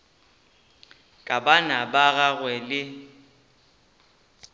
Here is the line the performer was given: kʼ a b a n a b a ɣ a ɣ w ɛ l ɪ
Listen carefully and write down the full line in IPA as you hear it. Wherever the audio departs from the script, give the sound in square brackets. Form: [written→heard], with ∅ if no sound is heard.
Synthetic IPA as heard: kʼ a b a n a b a ɣ a ɣ w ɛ l ɪ